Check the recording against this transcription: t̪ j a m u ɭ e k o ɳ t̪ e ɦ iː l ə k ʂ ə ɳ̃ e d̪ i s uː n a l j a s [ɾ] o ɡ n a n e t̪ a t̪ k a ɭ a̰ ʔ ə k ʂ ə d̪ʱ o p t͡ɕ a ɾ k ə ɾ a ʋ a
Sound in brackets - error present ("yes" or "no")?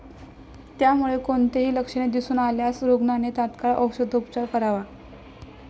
no